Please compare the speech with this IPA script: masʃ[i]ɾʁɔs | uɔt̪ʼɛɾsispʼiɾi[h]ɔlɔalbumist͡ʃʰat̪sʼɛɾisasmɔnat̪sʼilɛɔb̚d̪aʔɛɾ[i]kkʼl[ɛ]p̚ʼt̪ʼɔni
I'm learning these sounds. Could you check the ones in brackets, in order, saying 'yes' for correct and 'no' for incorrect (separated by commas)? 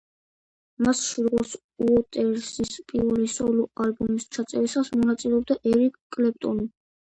yes, no, yes, yes